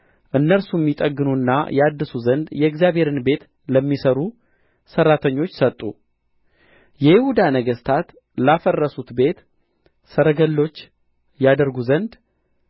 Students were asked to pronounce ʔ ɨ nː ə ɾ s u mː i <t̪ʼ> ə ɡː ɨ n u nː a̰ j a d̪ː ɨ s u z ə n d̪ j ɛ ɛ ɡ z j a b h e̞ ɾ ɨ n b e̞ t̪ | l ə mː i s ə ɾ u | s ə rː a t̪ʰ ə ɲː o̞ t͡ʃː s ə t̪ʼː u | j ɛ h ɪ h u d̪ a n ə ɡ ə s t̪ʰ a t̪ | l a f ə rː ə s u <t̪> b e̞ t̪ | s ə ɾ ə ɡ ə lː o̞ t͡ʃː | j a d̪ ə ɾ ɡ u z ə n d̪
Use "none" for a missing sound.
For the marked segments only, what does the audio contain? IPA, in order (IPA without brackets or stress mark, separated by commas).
t̪ʼ, t̪